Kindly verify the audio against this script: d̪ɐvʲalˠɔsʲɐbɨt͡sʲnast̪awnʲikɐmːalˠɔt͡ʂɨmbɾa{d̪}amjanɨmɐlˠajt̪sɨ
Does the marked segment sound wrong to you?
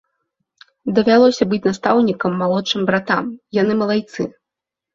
yes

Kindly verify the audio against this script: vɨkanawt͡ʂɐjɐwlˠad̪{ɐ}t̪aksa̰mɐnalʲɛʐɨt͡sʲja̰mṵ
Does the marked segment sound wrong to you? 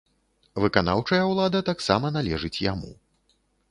no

